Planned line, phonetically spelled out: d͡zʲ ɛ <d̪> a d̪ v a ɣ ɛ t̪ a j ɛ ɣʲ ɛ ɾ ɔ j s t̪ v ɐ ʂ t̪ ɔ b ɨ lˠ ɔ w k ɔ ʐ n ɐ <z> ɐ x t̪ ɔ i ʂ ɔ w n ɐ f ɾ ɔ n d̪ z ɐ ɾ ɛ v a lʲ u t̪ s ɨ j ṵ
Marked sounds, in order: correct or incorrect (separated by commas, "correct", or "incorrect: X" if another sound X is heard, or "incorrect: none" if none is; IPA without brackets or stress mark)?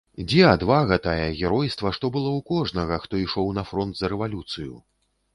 incorrect: none, incorrect: ɣ